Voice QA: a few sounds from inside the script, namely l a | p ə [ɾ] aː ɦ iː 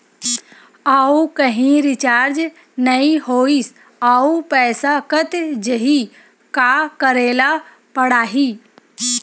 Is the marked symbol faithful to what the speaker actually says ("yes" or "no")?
no